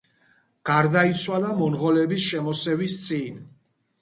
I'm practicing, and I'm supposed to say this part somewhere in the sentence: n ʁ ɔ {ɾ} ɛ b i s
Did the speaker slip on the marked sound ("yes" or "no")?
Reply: yes